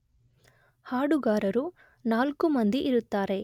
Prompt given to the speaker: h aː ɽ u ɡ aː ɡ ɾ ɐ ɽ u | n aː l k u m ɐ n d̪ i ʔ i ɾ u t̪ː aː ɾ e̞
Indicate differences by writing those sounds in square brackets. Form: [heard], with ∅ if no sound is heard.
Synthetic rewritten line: h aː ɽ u ɡ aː [∅] ɾ ɐ [ɾ] u | n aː l k u m ɐ n d̪ i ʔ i ɾ u t̪ː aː ɾ e̞